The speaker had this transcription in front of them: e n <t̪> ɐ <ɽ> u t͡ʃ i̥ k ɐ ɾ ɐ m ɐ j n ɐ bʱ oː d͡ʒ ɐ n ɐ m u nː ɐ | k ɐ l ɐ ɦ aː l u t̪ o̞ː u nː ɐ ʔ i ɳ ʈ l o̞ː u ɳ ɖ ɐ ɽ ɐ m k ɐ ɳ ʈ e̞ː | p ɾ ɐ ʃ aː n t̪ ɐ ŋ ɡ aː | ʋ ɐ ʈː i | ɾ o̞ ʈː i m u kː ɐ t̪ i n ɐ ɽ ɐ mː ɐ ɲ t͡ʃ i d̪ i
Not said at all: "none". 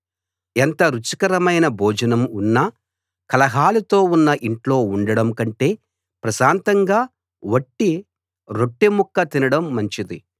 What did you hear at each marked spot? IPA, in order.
t̪, ɾ

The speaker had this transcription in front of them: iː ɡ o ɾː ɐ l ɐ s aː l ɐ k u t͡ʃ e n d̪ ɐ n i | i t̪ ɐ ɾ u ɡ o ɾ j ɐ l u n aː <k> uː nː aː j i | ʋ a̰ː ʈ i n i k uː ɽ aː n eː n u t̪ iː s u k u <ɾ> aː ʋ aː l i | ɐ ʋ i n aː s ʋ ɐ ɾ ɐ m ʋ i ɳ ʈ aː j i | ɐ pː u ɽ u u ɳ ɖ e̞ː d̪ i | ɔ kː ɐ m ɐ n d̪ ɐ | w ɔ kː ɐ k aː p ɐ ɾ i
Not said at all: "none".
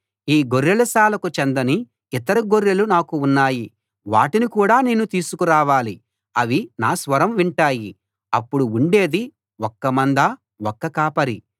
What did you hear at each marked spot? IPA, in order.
k, ɾ

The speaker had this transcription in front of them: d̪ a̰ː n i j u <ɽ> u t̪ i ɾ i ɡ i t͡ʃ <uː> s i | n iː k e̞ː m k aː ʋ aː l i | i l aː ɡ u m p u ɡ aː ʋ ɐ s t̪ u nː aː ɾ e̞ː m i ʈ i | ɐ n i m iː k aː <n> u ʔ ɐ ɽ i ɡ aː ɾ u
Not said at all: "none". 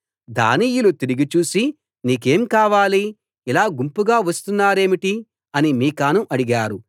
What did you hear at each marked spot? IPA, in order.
l, uː, n

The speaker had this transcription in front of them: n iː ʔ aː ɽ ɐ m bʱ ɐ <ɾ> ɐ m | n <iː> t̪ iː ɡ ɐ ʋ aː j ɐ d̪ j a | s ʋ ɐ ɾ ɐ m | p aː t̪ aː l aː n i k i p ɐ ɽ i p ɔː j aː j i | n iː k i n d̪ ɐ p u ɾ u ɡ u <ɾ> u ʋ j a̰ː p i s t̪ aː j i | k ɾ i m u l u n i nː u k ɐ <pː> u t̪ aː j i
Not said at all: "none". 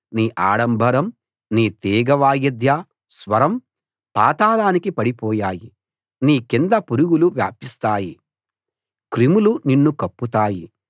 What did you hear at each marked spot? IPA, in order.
ɾ, iː, l, pː

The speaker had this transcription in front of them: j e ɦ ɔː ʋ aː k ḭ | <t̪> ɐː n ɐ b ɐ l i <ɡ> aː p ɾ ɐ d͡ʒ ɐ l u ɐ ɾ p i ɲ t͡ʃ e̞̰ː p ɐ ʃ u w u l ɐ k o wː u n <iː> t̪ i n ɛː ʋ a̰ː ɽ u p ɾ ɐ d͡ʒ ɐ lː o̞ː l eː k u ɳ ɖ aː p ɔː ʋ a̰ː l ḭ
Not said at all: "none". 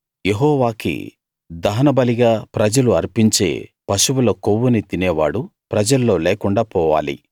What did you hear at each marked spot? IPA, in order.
d̪, ɡ, i

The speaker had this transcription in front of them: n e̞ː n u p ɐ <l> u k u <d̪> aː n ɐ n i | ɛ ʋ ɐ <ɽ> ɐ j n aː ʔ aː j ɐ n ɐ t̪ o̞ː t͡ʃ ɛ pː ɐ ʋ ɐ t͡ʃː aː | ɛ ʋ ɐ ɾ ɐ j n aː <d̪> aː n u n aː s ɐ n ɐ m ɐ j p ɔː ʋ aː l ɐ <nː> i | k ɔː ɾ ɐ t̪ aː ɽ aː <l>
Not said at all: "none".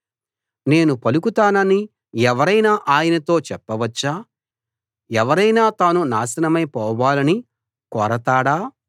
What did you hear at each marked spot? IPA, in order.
l, t̪, ɾ, t̪, n, none

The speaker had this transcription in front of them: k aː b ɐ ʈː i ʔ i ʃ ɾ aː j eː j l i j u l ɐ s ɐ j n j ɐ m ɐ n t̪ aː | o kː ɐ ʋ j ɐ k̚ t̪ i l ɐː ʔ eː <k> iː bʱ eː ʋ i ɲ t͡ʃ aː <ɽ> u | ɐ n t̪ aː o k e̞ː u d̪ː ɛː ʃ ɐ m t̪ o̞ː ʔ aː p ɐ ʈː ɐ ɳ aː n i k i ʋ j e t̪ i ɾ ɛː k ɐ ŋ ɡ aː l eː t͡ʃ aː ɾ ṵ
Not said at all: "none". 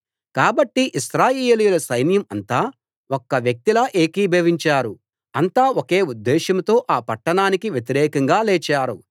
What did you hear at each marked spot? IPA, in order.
k, ɾ

